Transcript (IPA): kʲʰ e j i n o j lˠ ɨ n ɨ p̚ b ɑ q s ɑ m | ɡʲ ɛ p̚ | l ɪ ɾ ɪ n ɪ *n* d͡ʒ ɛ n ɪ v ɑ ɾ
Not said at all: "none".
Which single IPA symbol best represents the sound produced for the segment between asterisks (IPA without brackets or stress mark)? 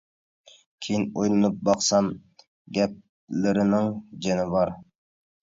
ŋ